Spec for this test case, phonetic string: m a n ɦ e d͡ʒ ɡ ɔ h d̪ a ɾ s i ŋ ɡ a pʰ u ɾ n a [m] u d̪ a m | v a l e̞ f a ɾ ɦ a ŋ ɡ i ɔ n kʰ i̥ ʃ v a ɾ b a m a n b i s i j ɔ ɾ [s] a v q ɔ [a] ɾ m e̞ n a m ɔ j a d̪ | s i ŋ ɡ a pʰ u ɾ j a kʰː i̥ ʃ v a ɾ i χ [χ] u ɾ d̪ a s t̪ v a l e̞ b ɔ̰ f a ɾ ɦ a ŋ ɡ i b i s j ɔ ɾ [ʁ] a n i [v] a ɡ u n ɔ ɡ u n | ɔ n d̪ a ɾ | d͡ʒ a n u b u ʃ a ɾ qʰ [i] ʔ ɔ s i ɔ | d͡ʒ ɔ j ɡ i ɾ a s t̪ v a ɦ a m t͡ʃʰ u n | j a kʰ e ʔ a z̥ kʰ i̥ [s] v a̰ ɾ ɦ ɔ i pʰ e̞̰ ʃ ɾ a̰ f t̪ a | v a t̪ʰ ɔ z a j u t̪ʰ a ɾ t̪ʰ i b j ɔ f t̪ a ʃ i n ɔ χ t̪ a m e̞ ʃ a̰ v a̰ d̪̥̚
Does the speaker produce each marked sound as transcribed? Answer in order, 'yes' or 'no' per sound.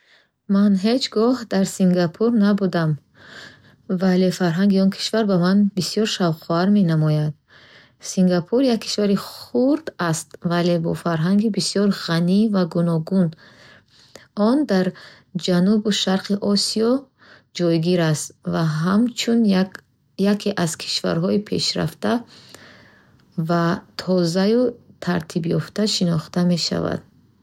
no, no, yes, yes, yes, yes, yes, no

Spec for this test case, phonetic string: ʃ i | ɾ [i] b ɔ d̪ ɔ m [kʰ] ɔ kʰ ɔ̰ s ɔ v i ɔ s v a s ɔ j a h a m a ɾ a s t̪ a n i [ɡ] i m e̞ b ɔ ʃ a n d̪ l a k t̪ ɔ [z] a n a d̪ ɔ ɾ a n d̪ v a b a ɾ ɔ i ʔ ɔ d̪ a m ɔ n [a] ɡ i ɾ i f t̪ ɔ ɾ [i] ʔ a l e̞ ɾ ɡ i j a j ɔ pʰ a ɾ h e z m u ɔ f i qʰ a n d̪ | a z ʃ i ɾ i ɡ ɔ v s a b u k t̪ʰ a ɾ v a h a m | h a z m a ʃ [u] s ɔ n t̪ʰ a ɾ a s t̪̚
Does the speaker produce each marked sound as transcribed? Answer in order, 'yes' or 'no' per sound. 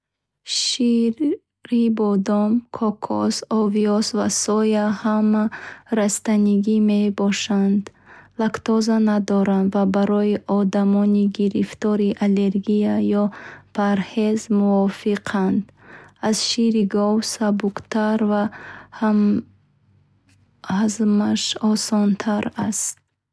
yes, yes, yes, yes, no, yes, no

